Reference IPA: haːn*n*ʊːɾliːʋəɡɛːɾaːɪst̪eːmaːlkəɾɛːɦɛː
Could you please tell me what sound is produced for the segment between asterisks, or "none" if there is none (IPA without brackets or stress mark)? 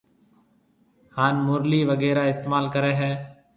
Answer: m